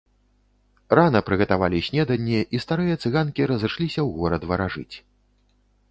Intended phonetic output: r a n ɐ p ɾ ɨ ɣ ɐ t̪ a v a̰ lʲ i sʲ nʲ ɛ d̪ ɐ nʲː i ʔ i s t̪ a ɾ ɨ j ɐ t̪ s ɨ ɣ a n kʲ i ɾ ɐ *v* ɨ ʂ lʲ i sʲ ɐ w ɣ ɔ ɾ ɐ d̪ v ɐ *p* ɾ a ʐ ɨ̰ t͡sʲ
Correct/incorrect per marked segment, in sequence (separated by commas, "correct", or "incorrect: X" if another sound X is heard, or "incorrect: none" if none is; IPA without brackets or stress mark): incorrect: z, incorrect: none